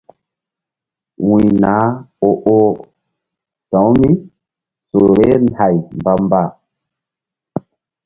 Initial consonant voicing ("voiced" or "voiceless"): voiced